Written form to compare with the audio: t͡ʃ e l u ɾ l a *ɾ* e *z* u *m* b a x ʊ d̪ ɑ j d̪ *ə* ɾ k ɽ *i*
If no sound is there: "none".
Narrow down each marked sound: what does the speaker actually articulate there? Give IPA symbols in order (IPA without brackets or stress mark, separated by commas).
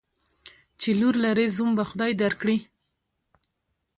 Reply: ɾ, z, m, a, i